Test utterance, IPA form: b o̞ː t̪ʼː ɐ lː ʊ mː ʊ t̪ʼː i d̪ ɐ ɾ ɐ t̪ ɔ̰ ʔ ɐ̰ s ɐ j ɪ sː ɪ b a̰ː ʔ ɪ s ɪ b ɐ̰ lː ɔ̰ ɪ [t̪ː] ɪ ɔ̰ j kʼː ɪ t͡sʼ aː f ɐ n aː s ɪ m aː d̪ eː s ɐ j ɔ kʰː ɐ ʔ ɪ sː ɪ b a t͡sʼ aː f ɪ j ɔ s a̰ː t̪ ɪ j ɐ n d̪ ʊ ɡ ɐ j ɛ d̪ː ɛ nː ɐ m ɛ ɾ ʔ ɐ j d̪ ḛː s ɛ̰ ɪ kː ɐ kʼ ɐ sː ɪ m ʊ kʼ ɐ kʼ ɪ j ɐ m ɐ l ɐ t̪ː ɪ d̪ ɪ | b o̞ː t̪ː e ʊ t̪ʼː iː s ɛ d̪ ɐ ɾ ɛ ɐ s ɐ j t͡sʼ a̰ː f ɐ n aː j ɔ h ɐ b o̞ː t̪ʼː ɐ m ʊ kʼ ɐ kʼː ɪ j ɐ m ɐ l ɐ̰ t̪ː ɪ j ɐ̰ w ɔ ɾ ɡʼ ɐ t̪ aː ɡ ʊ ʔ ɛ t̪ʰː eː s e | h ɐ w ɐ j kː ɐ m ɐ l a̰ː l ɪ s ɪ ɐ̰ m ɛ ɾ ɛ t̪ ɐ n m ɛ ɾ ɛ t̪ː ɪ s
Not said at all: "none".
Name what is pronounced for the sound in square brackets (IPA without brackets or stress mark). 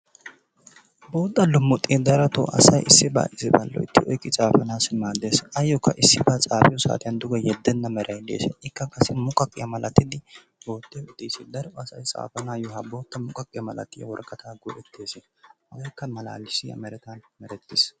t̪ː